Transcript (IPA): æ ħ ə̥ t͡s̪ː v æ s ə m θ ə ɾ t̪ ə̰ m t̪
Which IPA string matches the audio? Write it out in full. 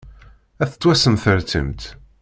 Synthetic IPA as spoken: æ θ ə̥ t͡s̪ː w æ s ə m θ ə ɾ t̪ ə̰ m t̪